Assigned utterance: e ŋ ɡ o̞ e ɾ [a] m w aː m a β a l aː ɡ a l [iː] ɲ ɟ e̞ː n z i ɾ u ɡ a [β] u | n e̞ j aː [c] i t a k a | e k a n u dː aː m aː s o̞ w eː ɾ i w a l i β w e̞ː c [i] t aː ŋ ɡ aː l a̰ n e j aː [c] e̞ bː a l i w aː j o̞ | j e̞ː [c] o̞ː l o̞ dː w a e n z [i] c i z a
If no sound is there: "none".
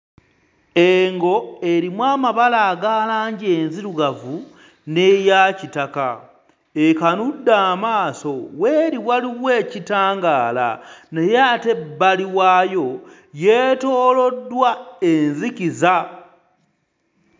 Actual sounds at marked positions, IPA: i, aː, v, c, i, t, t, i

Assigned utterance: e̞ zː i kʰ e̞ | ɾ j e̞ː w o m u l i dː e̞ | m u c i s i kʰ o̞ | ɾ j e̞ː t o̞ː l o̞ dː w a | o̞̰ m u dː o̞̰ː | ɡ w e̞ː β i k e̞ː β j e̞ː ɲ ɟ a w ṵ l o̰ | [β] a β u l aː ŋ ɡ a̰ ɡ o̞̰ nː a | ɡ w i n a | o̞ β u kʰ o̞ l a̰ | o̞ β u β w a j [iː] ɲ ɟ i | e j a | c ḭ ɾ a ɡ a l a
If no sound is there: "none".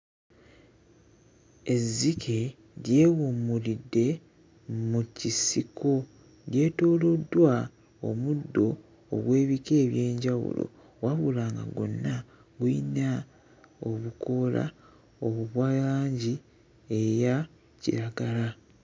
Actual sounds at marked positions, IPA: w, aː

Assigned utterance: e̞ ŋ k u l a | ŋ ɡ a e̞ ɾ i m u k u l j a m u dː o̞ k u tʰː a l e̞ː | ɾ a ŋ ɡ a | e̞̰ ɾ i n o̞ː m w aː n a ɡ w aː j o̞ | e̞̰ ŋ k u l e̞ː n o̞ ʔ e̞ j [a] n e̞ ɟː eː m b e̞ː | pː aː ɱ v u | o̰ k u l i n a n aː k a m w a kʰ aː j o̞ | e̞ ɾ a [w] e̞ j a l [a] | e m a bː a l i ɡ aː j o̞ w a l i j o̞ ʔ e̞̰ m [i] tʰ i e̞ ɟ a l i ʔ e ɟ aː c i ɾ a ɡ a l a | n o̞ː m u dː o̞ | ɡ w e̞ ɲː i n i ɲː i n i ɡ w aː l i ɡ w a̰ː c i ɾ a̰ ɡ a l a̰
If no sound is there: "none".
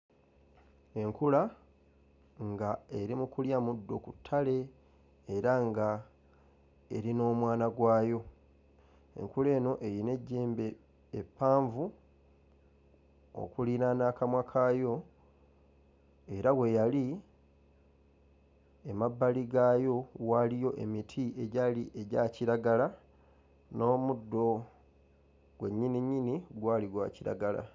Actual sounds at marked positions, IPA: i, w, i, i

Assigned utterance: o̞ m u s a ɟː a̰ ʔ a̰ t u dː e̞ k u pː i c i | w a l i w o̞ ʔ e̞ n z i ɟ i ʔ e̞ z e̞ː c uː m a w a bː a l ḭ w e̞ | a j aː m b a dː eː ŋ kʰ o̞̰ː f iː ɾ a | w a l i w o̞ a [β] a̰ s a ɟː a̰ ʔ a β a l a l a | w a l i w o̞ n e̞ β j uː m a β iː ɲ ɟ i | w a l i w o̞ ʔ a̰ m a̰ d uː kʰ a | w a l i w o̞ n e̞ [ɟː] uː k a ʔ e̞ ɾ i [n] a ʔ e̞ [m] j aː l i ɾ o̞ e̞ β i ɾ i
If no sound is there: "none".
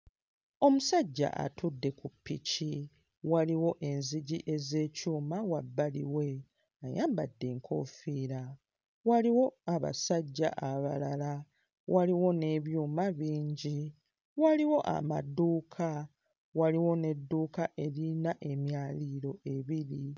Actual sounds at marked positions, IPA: β, dː, n, m

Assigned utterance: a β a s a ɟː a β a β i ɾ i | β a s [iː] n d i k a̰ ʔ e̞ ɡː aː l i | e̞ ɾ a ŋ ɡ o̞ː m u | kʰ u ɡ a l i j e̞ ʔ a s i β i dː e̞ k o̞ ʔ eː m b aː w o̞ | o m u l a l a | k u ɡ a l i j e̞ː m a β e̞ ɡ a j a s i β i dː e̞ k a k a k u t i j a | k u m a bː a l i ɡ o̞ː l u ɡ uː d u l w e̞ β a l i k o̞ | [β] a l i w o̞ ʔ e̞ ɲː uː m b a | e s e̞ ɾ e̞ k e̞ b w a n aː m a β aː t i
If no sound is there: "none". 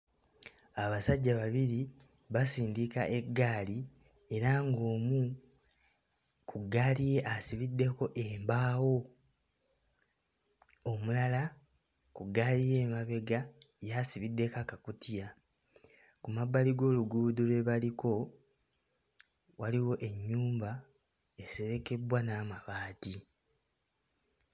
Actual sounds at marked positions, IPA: iː, w

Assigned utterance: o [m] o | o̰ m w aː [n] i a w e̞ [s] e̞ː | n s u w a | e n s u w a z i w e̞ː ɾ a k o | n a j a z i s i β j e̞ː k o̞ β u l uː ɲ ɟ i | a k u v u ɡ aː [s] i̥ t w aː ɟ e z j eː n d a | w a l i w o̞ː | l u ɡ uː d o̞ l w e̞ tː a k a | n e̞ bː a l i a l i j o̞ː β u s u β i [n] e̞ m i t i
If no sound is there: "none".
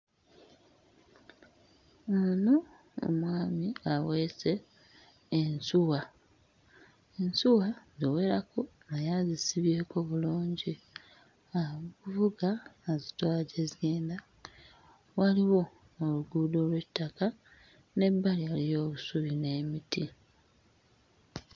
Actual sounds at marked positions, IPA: n, m, s, z, n

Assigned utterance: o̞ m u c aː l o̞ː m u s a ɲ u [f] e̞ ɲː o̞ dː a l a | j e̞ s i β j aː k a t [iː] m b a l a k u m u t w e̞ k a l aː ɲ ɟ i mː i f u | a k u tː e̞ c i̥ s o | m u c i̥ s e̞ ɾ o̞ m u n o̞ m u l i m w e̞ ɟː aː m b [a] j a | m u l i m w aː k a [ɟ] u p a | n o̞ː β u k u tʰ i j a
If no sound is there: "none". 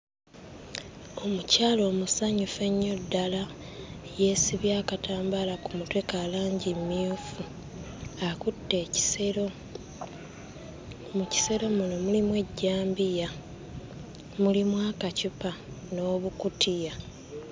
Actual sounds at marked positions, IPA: f, aː, i, c

